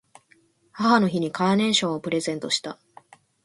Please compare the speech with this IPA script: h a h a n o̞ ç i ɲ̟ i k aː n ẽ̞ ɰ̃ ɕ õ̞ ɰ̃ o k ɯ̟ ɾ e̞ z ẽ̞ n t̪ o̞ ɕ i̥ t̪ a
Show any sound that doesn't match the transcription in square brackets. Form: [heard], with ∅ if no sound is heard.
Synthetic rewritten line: h a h a n o̞ ç i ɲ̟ i k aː n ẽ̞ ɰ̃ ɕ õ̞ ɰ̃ o [p] ɯ̟ ɾ e̞ z ẽ̞ n t̪ o̞ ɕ i̥ t̪ a